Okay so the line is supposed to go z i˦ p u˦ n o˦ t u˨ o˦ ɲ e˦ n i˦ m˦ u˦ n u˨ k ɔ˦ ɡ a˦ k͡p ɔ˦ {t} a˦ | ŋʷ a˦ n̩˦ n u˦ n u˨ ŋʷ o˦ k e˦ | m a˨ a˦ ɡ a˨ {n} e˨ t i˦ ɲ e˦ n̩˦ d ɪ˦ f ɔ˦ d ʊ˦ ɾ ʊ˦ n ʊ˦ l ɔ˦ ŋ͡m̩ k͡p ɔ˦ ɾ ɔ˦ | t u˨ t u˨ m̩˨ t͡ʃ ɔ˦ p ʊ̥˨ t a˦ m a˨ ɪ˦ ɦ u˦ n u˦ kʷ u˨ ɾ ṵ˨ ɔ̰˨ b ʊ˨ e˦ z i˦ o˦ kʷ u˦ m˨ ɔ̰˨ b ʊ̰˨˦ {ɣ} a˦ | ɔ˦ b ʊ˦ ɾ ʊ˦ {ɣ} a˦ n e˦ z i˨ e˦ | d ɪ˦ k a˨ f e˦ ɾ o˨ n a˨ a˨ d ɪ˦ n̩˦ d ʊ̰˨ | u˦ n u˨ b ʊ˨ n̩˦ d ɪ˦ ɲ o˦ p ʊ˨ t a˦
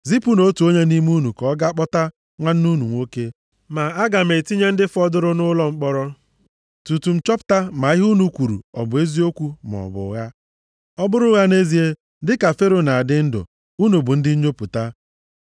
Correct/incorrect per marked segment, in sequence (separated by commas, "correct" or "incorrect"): correct, incorrect, correct, correct